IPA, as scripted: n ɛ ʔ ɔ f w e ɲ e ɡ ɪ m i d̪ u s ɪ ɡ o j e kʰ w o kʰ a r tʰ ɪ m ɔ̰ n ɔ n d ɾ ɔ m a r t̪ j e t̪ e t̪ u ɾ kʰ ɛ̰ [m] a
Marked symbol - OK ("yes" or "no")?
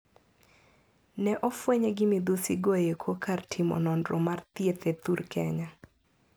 no